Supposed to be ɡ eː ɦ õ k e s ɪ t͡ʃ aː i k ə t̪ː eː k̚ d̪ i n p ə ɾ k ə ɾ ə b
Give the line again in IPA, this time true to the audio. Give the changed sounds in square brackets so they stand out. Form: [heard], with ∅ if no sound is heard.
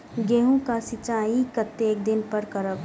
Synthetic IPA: ɡ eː ɦ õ k [a] s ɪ t͡ʃ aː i k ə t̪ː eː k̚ d̪ [ɪ] n p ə ɾ k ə ɾ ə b